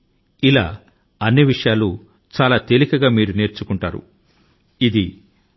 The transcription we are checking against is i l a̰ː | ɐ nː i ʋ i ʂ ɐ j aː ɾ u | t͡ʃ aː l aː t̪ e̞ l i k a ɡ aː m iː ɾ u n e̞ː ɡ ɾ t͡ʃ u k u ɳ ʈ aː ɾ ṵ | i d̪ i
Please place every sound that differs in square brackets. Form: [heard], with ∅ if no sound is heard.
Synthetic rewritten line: i l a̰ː | ɐ nː i ʋ i ʂ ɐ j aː [l] u | t͡ʃ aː l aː t̪ e̞ l i k [ɐ] ɡ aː m iː ɾ u n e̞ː [∅] ɾ t͡ʃ u k u ɳ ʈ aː ɾ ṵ | i d̪ i